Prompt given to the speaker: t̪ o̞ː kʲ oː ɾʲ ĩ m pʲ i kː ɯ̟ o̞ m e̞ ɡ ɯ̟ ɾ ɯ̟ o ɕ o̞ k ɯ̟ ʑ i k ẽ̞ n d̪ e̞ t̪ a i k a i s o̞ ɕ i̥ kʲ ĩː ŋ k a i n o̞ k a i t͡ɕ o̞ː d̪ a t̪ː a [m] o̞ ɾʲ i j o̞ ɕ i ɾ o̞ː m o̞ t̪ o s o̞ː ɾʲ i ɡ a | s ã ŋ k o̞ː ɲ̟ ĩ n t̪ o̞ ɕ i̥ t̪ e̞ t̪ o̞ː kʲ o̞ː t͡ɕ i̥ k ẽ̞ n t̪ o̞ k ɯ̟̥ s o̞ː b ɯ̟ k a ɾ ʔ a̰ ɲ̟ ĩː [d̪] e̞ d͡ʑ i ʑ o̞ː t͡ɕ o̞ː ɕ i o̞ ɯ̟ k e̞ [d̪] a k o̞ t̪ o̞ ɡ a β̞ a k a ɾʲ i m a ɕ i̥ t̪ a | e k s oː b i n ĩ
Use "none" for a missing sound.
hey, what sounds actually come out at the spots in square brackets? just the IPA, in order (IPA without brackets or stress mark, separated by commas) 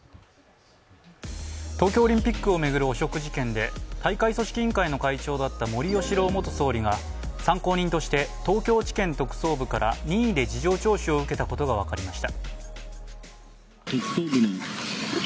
m, d̪, t̪